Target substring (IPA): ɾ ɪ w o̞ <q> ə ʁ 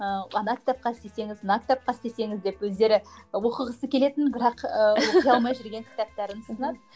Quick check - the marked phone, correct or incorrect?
correct